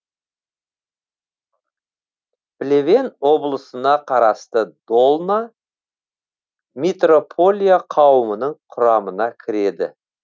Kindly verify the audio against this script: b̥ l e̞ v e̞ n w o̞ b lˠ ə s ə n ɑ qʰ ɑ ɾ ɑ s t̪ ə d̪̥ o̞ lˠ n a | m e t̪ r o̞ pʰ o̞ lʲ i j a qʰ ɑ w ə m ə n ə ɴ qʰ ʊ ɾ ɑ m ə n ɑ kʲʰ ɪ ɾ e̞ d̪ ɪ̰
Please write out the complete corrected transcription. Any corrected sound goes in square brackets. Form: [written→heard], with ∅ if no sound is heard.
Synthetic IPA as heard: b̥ l e̞ v e̞ n w o̞ b lˠ ə s ə n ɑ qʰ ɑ ɾ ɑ s t̪ ə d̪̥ o̞ lˠ n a | m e t̪ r o̞ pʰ o̞ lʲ i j a qʰ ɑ w ə m ə n ə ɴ qʰ ʊ ɾ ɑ m ə n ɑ kʲʰ ɪ ɾ e̞ d̪ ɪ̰